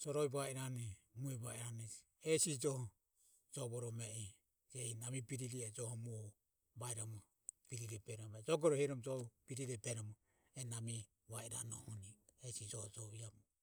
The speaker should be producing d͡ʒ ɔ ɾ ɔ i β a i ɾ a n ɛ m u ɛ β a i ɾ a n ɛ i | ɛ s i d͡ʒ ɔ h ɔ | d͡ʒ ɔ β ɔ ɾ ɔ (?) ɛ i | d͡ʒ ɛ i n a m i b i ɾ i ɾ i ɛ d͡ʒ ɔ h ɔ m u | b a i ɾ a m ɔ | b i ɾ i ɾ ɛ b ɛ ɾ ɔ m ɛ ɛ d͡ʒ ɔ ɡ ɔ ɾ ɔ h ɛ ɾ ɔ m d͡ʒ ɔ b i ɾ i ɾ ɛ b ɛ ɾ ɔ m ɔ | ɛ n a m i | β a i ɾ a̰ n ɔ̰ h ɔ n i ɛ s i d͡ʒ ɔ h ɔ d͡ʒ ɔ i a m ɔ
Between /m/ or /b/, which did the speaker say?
m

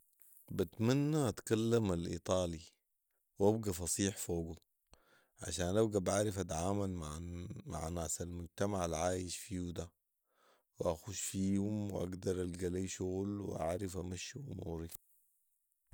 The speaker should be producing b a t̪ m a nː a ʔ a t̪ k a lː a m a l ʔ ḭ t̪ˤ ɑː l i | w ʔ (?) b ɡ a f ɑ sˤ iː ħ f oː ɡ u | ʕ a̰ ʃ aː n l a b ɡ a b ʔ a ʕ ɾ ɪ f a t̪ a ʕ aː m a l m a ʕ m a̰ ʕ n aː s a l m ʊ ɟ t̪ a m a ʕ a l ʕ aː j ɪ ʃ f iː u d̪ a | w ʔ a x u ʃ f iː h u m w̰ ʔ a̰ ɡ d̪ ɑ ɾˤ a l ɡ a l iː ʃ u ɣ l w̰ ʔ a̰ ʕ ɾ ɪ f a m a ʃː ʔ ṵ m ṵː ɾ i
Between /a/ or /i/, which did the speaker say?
a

